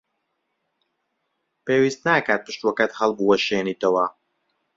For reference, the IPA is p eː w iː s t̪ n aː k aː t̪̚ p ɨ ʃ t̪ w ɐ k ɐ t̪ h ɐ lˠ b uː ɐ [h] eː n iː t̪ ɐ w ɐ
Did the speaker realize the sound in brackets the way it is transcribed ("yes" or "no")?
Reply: no